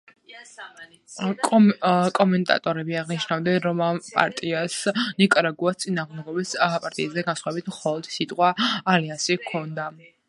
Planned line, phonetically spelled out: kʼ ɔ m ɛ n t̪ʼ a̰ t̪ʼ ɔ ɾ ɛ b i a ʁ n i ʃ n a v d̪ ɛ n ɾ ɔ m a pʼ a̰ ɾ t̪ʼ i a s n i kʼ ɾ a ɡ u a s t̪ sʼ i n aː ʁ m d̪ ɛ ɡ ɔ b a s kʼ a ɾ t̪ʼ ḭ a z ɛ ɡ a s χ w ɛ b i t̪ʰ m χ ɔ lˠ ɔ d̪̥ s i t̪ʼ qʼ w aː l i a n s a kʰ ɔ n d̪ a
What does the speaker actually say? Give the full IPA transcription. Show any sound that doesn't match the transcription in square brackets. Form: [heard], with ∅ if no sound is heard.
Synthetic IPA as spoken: kʼ ɔ m ɛ n t̪ʼ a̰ t̪ʼ ɔ ɾ ɛ b i a ʁ n i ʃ n a v d̪ ɛ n ɾ ɔ m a pʼ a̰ ɾ t̪ʼ i a s n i kʼ ɾ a ɡ u a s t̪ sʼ i n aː ʁ m d̪ ɛ ɡ ɔ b [i] s [pʼ] a ɾ t̪ʼ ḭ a z ɛ ɡ a s χ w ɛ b i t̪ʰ m χ ɔ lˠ ɔ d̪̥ s i t̪ʼ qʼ w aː l i a n s [i] kʰ ɔ n d̪ a